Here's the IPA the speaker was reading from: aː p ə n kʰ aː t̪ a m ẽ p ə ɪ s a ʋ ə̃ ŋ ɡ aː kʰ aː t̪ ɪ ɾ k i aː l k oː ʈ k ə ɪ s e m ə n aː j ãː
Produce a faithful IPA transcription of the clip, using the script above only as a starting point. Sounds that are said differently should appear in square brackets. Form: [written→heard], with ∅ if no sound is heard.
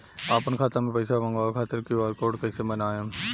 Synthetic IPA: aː p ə n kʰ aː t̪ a m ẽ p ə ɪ s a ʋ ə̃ ŋ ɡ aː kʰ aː t̪ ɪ ɾ k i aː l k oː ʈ k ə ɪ s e m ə n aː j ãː